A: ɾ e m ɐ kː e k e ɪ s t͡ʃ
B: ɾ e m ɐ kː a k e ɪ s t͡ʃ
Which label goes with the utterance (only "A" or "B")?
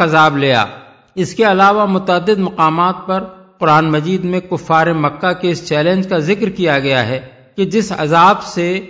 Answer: B